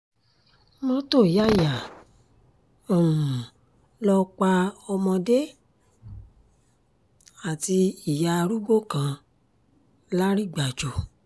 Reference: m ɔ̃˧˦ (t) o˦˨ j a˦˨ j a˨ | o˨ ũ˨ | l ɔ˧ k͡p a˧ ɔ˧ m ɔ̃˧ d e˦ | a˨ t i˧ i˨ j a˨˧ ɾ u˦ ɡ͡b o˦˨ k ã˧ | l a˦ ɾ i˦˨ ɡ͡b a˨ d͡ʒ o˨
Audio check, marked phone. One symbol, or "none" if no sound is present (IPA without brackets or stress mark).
t